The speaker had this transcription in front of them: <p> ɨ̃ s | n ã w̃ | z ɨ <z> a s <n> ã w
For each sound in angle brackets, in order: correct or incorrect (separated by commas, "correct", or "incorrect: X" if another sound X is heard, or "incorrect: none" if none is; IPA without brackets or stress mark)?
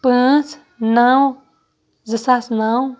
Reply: correct, incorrect: s, correct